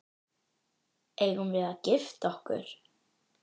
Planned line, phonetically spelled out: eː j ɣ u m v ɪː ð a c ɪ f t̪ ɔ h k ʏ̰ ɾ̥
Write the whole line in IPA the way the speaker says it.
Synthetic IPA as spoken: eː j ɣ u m v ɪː ð a c ɪ f t̪ ɔ h k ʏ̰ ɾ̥